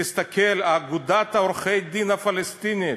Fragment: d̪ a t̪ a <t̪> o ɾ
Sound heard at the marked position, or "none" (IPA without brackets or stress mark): none